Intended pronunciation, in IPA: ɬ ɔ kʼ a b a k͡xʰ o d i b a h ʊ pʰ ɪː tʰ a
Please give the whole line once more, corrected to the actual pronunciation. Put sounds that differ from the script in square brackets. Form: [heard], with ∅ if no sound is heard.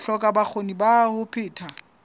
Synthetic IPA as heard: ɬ ɔ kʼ a b a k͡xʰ o [n] i b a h ʊ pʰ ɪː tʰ a